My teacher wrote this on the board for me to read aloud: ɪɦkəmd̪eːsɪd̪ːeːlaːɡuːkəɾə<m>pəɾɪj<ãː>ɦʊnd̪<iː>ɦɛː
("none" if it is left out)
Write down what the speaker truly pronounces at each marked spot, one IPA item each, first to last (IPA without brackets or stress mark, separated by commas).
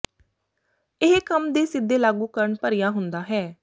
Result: ɳ, aː, aː